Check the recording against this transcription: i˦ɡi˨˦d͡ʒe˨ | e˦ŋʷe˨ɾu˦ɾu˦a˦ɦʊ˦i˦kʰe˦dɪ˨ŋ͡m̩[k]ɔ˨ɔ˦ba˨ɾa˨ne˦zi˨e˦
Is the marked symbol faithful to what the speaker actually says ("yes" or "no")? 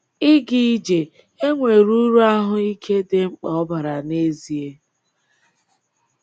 no